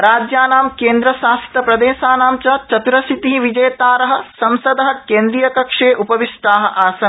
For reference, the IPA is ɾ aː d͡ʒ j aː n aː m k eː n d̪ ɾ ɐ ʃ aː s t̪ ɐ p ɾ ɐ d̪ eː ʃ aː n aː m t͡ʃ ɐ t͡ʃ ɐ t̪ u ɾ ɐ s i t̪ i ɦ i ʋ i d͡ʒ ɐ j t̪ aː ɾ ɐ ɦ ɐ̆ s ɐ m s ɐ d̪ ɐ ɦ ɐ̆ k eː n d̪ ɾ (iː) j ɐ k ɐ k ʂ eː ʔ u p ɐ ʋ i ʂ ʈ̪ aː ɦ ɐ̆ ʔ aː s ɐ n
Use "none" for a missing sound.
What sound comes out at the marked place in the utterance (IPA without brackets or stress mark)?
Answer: i